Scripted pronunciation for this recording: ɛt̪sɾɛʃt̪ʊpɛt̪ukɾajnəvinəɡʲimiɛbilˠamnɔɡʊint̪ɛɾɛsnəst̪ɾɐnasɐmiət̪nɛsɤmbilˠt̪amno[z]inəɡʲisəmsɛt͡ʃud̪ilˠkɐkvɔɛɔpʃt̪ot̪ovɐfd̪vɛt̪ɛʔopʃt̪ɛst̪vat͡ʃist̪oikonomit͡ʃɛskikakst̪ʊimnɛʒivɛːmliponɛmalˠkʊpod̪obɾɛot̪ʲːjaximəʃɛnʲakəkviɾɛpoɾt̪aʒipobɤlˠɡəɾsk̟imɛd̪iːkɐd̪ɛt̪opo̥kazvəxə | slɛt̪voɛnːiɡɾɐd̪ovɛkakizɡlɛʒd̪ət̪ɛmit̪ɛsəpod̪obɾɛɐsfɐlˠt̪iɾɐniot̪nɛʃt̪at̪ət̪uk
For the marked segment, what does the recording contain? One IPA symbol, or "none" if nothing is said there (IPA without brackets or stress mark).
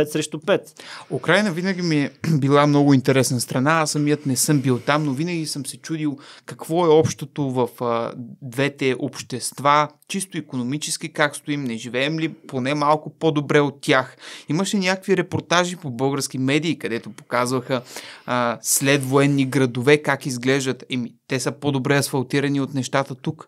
v